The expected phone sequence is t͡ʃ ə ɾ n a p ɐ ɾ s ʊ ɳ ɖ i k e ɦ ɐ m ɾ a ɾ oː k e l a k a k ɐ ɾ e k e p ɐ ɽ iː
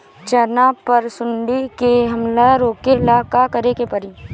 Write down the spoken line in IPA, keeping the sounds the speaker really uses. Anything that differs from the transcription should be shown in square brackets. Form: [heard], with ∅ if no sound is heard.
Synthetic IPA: t͡ʃ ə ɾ n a p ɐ ɾ s ʊ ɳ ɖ i k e ɦ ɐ m [l] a ɾ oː k e l a k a k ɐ ɾ e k e p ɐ [ɾ] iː